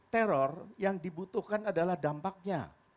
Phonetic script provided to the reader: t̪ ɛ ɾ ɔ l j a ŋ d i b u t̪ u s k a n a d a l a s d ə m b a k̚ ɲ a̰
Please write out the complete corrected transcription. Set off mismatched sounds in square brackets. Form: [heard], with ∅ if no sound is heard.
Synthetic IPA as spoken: t̪ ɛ ɾ ɔ [r] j a ŋ d i b u t̪ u [h] k a n a d a l a [h] d [a] m [p] a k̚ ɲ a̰

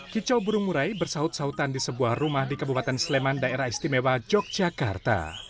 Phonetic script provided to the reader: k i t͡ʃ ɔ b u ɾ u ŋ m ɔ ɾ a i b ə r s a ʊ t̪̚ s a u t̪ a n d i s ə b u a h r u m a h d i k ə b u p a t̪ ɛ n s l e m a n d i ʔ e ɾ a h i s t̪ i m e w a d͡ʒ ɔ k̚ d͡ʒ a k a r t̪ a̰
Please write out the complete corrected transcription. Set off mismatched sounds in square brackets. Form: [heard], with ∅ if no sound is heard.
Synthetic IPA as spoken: k i t͡ʃ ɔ b u ɾ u ŋ m [u] ɾ a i b ə r s a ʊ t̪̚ s a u t̪ a n d i s ə b u a h r u m a h d i k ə b u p a t̪ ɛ n s l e m a n d [a] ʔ e ɾ a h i s t̪ i m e w a d͡ʒ ɔ k̚ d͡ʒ a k a r t̪ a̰

